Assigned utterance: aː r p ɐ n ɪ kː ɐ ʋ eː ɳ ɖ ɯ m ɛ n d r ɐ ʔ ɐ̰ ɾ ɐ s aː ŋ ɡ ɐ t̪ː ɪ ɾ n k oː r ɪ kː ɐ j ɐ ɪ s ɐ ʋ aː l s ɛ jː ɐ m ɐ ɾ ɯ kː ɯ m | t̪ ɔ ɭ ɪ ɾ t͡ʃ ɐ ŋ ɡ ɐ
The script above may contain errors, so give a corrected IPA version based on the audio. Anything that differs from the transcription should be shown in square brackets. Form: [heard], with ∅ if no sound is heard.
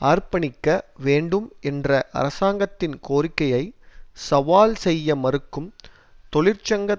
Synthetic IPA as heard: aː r p ɐ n ɪ kː ɐ ʋ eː ɳ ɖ ɯ m ɛ n d r ɐ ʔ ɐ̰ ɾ ɐ s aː ŋ ɡ ɐ t̪ː ɪ [∅] n k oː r ɪ kː ɐ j ɐ ɪ s ɐ ʋ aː l s ɛ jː ɐ m ɐ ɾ ɯ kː ɯ m | t̪ ɔ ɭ ɪ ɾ t͡ʃ ɐ ŋ ɡ ɐ